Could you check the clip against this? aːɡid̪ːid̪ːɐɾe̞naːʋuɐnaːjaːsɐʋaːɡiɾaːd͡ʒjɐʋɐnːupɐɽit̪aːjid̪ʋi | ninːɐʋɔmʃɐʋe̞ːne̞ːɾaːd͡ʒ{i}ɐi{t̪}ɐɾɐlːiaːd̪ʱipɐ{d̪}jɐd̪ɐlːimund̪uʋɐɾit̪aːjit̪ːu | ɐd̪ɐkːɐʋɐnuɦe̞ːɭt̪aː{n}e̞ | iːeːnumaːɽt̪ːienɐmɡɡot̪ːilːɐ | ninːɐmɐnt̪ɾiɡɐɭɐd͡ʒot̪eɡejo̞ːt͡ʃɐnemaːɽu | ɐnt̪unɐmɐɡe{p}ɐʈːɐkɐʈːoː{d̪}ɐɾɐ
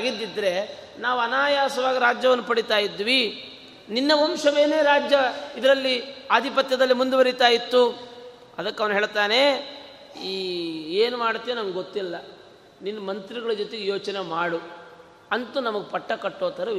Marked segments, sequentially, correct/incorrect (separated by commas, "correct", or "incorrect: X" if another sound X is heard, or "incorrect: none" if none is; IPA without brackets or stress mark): incorrect: j, incorrect: d̪, incorrect: t̪, correct, correct, incorrect: t̪